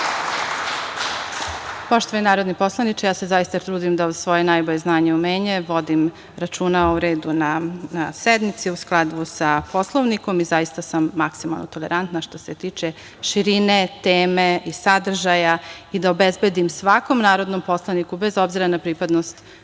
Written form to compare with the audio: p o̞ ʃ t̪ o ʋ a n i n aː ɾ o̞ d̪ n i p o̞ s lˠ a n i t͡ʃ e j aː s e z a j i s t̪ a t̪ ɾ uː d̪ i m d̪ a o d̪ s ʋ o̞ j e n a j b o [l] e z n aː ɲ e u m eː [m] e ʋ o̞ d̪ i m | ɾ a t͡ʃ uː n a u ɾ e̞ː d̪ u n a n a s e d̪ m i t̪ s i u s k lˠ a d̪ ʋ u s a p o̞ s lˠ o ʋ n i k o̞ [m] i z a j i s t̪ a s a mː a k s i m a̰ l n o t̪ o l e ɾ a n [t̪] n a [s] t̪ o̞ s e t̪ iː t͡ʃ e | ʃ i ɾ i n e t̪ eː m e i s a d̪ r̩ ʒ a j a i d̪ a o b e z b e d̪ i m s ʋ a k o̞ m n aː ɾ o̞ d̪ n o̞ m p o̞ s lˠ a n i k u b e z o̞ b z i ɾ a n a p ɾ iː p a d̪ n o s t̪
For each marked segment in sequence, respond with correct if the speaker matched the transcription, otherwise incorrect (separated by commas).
incorrect, incorrect, correct, correct, incorrect